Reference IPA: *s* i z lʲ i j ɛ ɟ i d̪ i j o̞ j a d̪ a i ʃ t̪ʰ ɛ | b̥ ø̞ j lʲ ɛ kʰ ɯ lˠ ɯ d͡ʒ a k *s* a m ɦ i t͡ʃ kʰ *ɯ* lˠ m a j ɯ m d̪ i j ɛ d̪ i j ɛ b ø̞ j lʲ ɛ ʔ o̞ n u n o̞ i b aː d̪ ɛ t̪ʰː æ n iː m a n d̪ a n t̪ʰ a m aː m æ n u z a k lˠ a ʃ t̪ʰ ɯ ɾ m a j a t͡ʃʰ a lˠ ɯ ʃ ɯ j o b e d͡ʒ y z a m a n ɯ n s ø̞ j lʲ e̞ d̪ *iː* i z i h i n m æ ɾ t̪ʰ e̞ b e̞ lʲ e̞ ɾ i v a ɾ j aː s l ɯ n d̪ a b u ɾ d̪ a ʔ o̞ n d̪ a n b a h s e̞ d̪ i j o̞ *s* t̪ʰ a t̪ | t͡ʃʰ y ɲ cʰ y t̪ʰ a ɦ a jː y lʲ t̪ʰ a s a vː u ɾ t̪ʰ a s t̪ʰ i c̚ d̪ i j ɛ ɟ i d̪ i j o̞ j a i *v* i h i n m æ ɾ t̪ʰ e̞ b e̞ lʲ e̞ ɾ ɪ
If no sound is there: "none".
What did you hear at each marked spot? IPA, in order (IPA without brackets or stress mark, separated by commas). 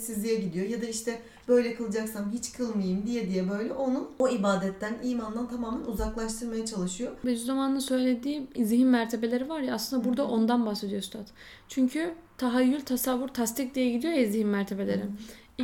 s, s, ɯ, iː, s, z